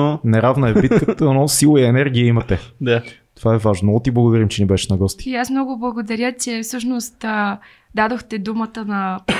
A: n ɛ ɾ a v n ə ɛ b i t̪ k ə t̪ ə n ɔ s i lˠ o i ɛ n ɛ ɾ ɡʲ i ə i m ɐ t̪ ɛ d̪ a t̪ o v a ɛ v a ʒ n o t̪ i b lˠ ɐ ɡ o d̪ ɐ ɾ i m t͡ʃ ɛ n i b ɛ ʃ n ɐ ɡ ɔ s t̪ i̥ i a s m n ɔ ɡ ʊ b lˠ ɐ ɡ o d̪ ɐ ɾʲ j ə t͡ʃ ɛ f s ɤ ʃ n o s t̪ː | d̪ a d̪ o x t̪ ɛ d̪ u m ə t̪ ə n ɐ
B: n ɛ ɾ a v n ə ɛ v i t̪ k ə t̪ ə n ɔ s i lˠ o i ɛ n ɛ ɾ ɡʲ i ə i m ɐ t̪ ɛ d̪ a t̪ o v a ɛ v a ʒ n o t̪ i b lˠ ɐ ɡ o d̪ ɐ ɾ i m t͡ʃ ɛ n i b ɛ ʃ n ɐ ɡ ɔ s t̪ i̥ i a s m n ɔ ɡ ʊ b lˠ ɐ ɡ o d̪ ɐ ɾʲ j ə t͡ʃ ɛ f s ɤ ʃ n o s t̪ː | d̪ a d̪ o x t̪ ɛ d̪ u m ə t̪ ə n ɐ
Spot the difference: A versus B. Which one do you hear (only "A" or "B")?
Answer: A